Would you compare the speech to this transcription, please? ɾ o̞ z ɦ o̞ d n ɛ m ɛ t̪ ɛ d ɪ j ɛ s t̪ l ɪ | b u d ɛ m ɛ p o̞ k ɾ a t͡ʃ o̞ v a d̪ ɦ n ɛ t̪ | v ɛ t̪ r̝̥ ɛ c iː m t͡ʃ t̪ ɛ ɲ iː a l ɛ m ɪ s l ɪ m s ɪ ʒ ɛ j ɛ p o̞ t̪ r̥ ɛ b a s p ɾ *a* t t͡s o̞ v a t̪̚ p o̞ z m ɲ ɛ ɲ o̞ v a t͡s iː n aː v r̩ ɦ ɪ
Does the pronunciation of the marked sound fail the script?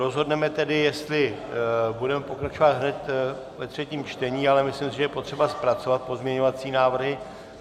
no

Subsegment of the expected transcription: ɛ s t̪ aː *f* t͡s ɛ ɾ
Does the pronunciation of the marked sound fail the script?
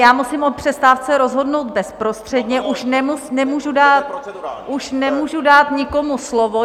no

